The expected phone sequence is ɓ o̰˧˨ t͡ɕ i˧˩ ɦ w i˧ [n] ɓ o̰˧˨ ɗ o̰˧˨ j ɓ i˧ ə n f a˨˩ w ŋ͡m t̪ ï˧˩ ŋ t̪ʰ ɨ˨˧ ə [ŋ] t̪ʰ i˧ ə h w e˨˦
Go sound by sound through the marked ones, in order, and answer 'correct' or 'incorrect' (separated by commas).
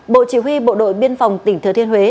incorrect, incorrect